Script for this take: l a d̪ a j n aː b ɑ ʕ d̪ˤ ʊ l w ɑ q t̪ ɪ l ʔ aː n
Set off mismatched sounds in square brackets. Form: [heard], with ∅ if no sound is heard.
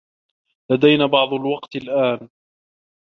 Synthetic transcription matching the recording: l a d̪ a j n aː b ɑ ʕ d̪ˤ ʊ l w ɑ q t̪ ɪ l ʔ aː n